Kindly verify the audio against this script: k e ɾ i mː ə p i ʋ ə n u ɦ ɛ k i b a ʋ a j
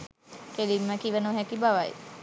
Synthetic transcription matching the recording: k e l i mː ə k i ʋ ə n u ɦ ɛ k i b a ʋ a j

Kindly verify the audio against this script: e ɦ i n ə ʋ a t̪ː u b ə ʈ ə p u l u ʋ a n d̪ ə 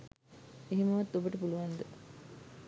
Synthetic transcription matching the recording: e ɦ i m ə ʋ a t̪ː o b ə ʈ ə p u l u ʋ a n d̪ ə

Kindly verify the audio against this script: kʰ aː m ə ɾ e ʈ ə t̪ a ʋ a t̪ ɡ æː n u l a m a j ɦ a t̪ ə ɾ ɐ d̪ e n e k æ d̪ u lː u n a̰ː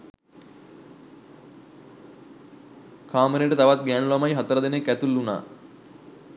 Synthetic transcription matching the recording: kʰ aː m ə ɾ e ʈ ə t̪ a ʋ a t̪ ɡ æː n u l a m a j ɦ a t̪ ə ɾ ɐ d̪ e n e k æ t̪ u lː u n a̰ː

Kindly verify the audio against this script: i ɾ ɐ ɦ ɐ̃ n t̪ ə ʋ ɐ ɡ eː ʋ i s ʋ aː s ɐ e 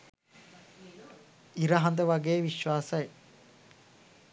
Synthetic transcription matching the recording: i ɾ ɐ ɦ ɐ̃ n d̪ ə ʋ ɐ ɡ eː ʋ i ʃ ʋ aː s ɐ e

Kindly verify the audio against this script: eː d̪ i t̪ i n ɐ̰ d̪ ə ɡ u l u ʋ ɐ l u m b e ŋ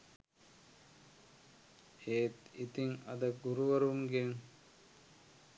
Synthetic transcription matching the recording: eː t̪ i t̪ i ŋ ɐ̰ d̪ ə ɡ u ɾ u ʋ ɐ ɾ u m ɡ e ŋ

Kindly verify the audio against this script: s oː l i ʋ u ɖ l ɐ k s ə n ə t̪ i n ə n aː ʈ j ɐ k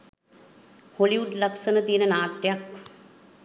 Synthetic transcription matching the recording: h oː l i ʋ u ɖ l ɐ k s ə n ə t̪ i n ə n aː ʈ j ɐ k

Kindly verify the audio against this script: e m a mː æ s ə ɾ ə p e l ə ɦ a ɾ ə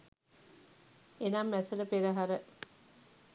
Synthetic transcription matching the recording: e n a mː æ s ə l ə p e ɾ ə ɦ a ɾ ə

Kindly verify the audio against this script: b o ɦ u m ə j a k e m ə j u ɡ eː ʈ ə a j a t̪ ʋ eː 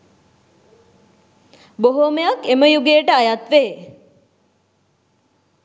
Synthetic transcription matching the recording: b o ɦ o m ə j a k e m ə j u ɡ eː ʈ ə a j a t̪ ʋ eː

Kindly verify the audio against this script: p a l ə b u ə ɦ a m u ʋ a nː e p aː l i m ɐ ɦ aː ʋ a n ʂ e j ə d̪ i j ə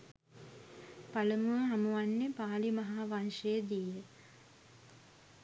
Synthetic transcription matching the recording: p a l ə m u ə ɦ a m u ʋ a nː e p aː l i m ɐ ɦ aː ʋ a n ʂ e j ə d̪ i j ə

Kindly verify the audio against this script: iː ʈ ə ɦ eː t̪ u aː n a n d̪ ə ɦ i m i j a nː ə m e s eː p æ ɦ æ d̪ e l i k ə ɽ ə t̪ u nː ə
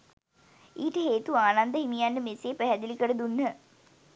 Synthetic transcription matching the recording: iː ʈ ə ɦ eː t̪ u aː n a n d̪ ə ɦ i m i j a nː ə m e s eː p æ ɦ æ d̪ i l i k ə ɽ ə d̪ u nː ə

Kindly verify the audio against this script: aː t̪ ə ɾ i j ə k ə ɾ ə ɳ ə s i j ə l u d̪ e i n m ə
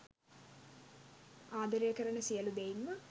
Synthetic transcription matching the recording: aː d̪ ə ɾ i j ə k ə ɾ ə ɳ ə s i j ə l u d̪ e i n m ə

